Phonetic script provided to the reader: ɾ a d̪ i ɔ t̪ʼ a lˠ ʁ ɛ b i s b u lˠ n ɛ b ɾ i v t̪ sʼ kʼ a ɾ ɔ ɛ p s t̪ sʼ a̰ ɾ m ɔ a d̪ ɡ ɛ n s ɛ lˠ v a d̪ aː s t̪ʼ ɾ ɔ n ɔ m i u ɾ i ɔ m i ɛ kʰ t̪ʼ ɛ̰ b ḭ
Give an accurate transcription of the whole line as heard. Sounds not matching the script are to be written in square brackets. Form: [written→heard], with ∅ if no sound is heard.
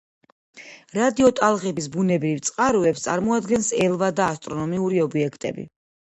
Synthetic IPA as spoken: ɾ a d̪ i ɔ t̪ʼ a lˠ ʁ ɛ b i s b u [lˠ→∅] n ɛ b ɾ i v t̪ sʼ [kʼ→qʼ] a ɾ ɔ ɛ p s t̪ sʼ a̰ ɾ m ɔ a d̪ ɡ ɛ n s ɛ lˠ v a d̪ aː s t̪ʼ ɾ ɔ n ɔ m i u ɾ i ɔ [m→b] i ɛ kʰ t̪ʼ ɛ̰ b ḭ